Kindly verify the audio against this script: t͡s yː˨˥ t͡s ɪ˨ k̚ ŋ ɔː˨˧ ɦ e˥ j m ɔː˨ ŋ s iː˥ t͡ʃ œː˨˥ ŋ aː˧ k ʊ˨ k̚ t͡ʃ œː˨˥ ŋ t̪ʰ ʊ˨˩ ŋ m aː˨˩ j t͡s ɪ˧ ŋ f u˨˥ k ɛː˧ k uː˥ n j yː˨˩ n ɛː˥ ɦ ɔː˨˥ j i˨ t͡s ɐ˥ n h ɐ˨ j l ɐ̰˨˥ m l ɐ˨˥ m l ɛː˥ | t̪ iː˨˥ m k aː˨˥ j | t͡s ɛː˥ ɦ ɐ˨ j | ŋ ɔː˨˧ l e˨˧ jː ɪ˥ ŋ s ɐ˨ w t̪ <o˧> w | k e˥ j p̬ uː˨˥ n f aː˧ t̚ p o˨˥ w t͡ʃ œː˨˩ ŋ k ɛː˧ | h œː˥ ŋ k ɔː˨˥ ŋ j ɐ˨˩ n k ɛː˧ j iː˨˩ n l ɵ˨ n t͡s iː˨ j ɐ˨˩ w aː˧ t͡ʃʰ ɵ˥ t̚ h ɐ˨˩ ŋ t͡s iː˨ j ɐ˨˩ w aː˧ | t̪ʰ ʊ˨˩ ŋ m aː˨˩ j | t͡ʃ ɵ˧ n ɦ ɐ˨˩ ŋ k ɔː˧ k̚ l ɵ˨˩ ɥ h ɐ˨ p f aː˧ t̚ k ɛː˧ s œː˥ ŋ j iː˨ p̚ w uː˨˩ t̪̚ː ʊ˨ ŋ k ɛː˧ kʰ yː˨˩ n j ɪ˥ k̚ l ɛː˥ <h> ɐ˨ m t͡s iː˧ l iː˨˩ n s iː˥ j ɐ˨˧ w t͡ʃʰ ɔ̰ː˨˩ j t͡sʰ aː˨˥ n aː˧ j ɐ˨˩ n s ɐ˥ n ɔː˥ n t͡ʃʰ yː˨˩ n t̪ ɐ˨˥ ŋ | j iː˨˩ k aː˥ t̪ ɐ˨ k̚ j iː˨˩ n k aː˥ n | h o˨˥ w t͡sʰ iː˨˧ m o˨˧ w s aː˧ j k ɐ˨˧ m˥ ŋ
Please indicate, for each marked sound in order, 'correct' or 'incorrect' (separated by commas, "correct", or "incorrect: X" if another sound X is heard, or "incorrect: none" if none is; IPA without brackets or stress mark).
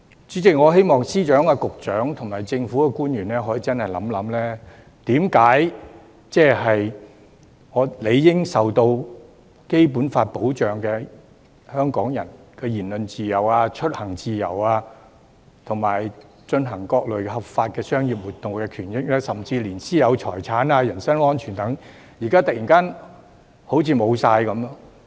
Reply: correct, incorrect: s